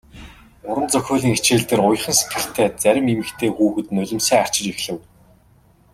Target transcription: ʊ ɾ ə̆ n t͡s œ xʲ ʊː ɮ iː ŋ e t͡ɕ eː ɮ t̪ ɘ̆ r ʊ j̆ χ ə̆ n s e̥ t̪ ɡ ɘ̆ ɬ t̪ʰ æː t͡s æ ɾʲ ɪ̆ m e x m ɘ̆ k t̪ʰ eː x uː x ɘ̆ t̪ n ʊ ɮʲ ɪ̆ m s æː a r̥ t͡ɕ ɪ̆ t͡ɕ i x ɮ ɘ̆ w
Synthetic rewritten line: ʊ ɾ ə̆ n t͡s œ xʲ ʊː ɮ iː ŋ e t͡ɕ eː ɮ t̪ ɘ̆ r ʊ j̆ χ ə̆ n s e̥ t̪ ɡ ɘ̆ ɬ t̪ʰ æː t͡s æ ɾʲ ɪ̆ m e m ɘ̆ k t̪ʰ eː x uː x ɘ̆ t̪ n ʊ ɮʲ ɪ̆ m s æː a r̥ t͡ɕ ɪ̆ t͡ɕ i x ɮ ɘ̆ w

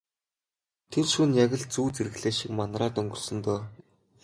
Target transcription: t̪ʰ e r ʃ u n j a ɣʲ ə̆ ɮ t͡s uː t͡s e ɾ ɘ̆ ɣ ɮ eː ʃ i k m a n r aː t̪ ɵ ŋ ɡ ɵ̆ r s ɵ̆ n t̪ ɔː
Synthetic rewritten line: t̪ʰ e r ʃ u n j a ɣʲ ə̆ ɮ t͡s uː t͡s e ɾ ɘ̆ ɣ ɮ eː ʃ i k m a n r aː t̪ ɵ ŋ ɡ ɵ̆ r s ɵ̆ n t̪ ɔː

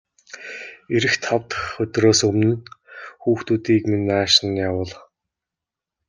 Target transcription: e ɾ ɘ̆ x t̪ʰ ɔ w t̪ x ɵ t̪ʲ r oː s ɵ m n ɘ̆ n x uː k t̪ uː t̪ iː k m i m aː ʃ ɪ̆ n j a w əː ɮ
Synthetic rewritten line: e ɾ ɘ̆ x t̪ʰ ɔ w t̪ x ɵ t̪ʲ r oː s ɵ m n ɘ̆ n x uː x t̪ uː t̪ iː k m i n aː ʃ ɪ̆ n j a w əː ɮ

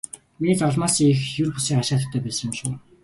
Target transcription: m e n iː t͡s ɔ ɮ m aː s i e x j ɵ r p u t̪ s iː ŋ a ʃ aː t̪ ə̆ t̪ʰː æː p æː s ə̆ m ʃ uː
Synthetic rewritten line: m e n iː t͡s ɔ ɮ m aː s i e x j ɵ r p u s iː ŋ a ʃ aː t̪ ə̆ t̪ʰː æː p æː s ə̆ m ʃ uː

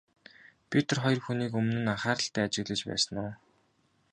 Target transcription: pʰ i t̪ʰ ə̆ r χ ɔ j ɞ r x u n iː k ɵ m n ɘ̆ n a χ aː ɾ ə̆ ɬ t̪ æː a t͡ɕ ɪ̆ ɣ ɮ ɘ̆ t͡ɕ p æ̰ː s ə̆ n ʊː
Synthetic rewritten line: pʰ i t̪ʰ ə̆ r χ ɔ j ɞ r x u n iː k ɵ m n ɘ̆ n a χ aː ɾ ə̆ ɬ t̪ æː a t͡ɕ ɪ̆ ɣ ɮ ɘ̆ t͡ɕ p æ̰ː s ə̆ n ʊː

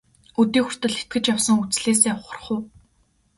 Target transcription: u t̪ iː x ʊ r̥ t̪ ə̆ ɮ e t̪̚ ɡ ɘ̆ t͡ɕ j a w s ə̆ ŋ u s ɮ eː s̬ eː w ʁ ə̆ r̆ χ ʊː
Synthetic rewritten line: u t̪ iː x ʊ r̥ t̪ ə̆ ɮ e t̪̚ ɡ ɘ̆ t͡ɕ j a w s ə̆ ŋ u t͡s ɮ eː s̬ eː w χ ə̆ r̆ χ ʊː

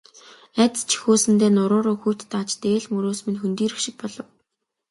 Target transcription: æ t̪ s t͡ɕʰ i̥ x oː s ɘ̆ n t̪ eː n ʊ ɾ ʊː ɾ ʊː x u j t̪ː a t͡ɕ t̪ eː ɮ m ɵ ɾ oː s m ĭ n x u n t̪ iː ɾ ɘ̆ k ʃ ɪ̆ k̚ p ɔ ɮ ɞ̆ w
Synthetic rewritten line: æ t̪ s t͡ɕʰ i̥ x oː s ɘ̆ n t̪ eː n ʊ ɾ ʊː ɾ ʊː x u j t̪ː a t͡ɕ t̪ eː ɮ m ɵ ɾ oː s m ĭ n x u n t̪ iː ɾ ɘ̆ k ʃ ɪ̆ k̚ p ɔ ɮ ɞ̆ w

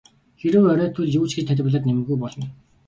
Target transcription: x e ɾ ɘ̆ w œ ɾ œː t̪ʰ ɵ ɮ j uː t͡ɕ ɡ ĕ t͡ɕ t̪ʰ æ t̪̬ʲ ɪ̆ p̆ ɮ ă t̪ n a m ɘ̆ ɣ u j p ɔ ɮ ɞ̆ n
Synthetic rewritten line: x e ɾ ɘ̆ w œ ɾ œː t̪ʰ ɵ ɮ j uː t͡ɕ ɡ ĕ t͡ɕ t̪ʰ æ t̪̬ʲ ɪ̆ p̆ ɮ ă t̪ n e m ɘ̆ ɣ u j p ɔ ɮ ɞ̆ n

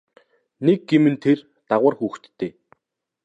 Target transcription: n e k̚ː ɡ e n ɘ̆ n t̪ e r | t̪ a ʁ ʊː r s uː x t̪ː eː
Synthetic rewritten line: n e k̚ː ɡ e m ɘ̆ n t̪ʰ e r | t̪ a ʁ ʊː r x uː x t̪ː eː

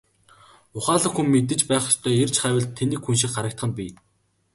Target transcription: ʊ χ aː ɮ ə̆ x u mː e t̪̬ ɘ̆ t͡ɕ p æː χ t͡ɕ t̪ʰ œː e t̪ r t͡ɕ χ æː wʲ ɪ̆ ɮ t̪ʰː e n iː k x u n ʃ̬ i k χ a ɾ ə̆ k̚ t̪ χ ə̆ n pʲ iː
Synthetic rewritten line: ʊ χ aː ɮ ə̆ x u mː e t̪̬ ɘ̆ t͡ɕ p æː χ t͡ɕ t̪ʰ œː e r t͡ɕ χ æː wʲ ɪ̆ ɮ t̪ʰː e n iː k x u n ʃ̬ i k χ a ɾ ə̆ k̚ t̪ χ ə̆ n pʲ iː

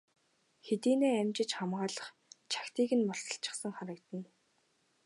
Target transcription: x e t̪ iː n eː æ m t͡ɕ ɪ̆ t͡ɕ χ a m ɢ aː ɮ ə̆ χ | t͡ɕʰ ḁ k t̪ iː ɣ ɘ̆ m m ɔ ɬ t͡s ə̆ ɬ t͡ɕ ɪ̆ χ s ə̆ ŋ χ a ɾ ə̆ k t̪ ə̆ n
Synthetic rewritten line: x e t̪ iː n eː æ m t͡ɕ ɪ̆ t͡ɕ χ a m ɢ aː ɮ ə̆ χ | t͡ɕʰ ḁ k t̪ iː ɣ ɘ̆ n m ɔ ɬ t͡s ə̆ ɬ t͡ɕ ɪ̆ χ s ə̆ ŋ χ a ɾ ə̆ k t̪ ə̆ n

